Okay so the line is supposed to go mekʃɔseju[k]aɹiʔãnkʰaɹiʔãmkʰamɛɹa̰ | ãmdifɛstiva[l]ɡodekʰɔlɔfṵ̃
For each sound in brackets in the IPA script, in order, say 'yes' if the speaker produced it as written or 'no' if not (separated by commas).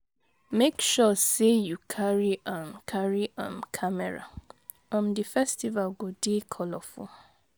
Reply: no, yes